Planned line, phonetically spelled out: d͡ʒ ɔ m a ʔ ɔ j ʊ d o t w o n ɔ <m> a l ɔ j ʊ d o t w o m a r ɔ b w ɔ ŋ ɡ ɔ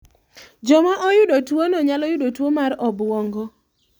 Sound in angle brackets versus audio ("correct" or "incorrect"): incorrect